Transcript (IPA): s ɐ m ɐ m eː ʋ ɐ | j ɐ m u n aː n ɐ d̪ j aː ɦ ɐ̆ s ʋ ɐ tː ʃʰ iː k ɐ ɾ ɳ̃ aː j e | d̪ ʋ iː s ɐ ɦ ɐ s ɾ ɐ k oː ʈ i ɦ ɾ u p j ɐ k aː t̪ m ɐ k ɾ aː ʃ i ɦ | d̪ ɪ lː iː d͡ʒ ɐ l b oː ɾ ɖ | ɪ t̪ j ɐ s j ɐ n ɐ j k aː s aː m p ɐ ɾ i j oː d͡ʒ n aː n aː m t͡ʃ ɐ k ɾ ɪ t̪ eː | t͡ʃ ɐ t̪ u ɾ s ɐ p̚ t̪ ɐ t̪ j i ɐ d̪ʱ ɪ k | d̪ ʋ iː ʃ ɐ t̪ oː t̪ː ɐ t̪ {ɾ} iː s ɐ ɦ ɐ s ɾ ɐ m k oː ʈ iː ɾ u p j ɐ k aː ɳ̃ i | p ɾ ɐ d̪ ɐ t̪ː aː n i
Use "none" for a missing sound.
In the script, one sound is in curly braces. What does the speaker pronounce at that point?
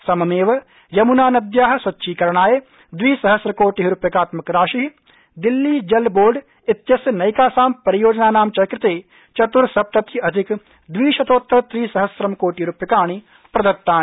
ɾ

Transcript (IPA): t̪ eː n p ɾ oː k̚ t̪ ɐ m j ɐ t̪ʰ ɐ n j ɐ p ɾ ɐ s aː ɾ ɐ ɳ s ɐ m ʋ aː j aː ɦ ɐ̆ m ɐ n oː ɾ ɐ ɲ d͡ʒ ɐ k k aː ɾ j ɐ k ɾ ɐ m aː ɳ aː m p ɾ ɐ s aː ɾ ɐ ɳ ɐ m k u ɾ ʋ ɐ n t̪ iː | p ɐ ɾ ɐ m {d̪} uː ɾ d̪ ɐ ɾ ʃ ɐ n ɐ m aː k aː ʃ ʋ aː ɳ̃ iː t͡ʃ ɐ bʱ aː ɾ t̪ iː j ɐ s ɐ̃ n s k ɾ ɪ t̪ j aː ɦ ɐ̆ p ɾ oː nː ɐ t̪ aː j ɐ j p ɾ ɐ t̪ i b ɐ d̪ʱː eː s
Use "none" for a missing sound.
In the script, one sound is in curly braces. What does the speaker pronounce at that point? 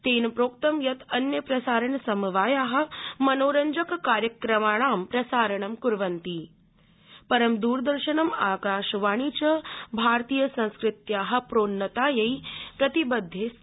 d̪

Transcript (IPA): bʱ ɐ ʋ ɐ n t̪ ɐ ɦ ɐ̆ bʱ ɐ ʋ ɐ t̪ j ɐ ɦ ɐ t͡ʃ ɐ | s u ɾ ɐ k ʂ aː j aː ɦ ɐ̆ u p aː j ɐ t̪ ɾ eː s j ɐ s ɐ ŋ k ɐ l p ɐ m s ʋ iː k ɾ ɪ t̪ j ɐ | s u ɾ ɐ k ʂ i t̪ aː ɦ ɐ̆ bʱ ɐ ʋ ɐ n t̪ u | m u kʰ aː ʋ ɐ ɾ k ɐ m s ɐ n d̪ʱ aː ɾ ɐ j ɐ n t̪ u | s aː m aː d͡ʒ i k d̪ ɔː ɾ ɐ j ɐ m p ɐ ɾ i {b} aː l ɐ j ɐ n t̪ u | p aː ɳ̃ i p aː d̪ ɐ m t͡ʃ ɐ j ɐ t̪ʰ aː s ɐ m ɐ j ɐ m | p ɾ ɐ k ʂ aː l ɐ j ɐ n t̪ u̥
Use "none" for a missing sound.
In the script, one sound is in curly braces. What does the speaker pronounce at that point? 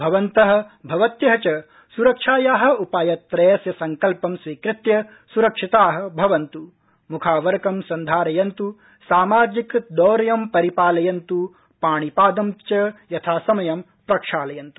p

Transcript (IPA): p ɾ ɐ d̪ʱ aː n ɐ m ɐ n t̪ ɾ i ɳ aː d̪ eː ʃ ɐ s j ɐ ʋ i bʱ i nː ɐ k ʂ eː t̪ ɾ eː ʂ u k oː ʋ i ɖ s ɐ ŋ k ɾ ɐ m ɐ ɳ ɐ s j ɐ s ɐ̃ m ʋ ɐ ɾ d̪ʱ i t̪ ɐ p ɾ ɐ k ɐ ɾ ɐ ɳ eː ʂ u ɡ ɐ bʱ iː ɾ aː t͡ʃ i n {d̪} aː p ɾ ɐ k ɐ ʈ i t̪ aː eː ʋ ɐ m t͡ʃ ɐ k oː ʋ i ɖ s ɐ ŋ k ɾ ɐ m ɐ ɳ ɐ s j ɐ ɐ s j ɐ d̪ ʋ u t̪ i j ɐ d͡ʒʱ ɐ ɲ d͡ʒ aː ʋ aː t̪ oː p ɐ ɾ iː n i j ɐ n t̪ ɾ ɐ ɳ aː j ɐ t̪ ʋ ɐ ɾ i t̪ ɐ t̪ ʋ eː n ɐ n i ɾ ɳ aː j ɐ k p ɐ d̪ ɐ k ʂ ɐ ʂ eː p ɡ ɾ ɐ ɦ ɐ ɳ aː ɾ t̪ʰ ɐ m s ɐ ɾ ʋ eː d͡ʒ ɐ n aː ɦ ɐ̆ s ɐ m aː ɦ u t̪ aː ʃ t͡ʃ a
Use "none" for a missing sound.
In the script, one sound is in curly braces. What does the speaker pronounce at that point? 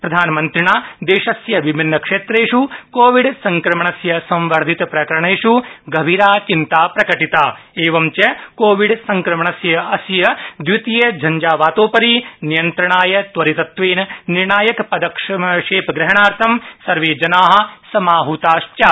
t̪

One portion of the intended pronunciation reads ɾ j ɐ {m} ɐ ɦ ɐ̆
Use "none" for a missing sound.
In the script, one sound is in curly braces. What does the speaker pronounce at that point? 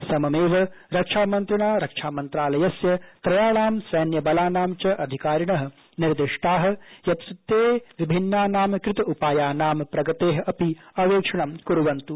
ɳ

